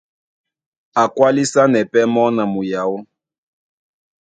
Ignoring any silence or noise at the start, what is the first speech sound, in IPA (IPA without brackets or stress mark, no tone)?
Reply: a